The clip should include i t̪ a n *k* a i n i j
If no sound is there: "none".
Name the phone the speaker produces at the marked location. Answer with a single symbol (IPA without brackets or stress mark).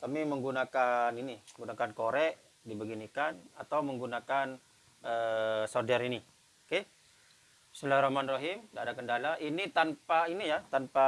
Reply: p